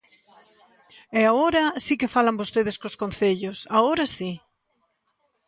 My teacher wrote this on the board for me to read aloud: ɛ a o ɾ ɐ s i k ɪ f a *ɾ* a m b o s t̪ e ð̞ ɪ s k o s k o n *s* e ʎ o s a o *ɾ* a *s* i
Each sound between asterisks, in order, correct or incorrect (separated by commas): incorrect, incorrect, correct, correct